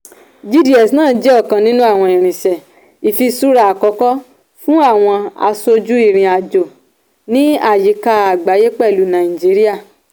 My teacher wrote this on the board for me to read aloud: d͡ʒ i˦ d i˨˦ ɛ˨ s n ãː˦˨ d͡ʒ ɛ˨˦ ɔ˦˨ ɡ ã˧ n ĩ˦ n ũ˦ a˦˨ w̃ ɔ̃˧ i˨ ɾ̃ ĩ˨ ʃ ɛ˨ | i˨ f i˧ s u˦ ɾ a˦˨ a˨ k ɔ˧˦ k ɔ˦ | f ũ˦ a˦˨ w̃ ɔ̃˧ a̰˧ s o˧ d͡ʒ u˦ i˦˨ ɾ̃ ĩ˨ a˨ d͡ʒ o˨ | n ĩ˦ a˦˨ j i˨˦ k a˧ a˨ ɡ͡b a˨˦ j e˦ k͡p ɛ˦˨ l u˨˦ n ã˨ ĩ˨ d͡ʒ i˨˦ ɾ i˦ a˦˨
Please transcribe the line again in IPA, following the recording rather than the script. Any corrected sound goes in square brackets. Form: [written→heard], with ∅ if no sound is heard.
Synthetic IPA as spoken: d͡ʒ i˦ d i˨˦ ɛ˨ s n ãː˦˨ d͡ʒ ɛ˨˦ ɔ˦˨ [ɡ→k] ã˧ n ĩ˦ n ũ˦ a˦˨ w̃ ɔ̃˧ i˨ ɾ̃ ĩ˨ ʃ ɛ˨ | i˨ f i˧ s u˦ ɾ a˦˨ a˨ k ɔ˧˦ k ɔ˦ | f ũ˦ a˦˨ w̃ ɔ̃˧ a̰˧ s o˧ d͡ʒ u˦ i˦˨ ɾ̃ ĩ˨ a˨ d͡ʒ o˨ | n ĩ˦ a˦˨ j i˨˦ k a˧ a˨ ɡ͡b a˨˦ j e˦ k͡p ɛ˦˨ l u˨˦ n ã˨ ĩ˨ d͡ʒ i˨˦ ɾ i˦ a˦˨